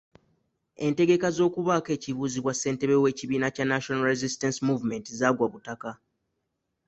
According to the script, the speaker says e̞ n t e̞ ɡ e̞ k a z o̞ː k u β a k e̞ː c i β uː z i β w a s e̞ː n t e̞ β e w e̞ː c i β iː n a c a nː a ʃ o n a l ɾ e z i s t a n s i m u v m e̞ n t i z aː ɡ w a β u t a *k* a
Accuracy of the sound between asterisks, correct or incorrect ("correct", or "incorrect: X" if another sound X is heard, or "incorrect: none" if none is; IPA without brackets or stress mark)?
correct